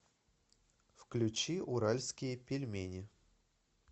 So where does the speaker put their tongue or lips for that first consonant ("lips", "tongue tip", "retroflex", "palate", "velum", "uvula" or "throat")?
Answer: lips